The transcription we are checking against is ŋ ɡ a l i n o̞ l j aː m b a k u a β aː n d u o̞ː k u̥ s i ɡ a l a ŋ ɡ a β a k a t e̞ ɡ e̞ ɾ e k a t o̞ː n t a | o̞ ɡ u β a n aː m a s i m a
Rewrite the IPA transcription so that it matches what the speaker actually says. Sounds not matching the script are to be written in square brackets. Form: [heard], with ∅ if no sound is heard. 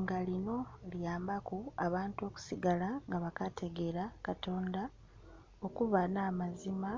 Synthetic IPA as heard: ŋ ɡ a l i n o̞ l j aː m b a k u a β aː n [t] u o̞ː k u̥ s i ɡ a l a ŋ ɡ a β a k a t e̞ ɡ e̞ ɾ [a] k a t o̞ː n [d] a | o̞ [k] u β a n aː m a [z] i m a